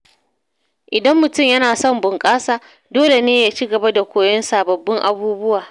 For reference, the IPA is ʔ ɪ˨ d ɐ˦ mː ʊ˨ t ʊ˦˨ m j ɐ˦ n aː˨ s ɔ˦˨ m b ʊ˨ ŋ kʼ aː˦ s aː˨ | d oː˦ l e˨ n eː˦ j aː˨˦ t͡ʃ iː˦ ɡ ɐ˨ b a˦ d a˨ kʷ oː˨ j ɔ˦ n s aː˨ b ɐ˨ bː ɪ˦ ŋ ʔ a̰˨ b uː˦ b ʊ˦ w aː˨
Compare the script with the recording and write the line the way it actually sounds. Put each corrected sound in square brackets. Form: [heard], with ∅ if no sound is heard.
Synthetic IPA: ʔ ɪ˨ d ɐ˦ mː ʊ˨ t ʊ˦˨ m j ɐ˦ n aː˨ s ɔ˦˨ m b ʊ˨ ŋ kʼ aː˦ s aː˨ | d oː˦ l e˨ n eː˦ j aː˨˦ t͡ʃ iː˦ ɡ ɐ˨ b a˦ d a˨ kʷ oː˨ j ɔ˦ n s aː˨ b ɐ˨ bː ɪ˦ ŋ ʔ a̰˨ b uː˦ b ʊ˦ w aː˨